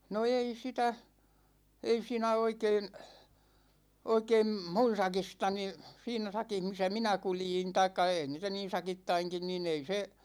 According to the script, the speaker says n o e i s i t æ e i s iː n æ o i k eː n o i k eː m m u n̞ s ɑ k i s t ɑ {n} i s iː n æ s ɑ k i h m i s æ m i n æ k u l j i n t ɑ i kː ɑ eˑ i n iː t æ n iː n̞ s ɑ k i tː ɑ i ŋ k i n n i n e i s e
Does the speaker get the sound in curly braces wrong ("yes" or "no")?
no